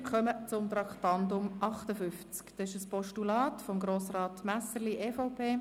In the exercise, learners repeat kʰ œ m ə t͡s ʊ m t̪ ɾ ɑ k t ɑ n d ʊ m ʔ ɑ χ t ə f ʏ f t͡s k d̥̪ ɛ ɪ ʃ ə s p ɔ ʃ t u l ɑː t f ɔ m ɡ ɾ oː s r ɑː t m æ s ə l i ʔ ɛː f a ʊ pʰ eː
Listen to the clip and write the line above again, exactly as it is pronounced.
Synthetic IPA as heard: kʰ œ m ə t͡s ʊ m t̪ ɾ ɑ k t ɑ n d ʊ m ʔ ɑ χ t ə f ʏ f t͡s k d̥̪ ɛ ɪ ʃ ə s p ɔ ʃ t u l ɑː t f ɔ m ɡ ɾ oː s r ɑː t m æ s ə l i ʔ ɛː f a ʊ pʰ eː